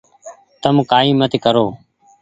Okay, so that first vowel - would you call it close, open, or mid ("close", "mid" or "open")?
mid